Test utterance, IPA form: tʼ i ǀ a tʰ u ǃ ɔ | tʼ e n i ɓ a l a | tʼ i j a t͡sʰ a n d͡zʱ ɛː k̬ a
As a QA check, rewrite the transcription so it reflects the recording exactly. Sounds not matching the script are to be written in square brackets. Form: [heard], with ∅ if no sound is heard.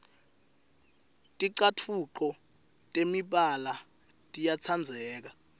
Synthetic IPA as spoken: tʼ i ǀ a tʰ u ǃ ɔ | tʼ e [m] i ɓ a l a | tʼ i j a t͡sʰ a n d͡zʱ ɛː k̬ a